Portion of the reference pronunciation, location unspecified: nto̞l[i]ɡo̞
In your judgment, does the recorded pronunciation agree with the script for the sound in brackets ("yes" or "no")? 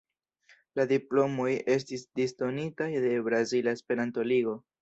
yes